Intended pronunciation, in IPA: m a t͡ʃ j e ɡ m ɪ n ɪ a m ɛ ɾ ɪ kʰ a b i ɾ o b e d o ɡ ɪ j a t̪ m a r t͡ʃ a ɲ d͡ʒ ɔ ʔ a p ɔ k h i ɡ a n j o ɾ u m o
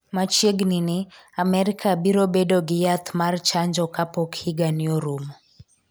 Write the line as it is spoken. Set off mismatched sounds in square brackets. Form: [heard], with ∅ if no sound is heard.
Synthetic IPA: m a t͡ʃ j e ɡ [n] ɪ n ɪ a m ɛ ɾ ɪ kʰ a b i ɾ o b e d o ɡ ɪ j a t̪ m a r t͡ʃ a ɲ d͡ʒ ɔ [k] a p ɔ k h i ɡ a n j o ɾ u m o